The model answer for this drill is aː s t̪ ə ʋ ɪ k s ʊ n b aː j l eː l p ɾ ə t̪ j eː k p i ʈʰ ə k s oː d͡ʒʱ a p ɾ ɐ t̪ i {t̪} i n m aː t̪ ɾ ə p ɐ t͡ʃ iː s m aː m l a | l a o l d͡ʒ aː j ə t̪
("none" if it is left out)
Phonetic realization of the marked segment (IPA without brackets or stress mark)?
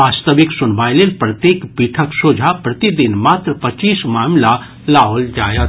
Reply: d̪